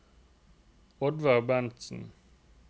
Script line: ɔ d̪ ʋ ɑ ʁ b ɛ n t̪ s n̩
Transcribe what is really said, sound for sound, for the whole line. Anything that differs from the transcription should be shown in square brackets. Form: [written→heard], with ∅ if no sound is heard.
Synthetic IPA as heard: ɔ d̪ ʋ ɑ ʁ b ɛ n t̪ s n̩